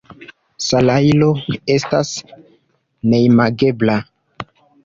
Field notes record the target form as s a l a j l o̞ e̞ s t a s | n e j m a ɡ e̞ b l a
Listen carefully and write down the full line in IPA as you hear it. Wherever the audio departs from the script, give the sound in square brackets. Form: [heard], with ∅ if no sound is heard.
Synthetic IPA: s a l a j l o̞ e̞ s t a s | n e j m a ɡ e̞ b l a